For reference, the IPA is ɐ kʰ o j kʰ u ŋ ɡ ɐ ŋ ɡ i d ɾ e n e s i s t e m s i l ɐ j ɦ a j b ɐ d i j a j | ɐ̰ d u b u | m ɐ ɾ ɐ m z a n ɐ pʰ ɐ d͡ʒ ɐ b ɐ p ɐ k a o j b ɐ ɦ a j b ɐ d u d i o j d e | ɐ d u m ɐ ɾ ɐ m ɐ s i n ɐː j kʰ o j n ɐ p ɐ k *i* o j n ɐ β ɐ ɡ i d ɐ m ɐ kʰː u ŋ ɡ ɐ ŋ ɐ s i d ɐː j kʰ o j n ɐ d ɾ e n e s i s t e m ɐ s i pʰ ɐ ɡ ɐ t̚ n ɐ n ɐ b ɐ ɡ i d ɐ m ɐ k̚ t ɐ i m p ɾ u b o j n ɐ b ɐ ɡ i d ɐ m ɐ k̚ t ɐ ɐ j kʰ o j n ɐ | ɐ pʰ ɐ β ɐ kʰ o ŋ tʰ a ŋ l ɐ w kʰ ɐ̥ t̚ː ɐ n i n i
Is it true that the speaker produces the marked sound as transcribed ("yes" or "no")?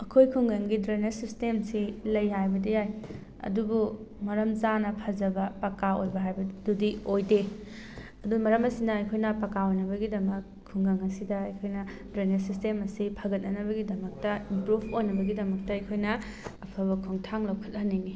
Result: no